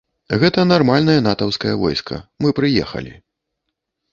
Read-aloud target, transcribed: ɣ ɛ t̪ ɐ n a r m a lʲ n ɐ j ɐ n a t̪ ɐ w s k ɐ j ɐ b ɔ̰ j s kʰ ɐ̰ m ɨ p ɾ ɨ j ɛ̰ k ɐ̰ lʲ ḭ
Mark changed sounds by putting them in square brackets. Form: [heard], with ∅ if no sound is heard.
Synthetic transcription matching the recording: ɣ ɛ t̪ ɐ n a r m a lʲ n ɐ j ɐ n a t̪ ɐ w s k ɐ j ɐ [v] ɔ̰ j s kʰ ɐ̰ m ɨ p ɾ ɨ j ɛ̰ [x] ɐ̰ lʲ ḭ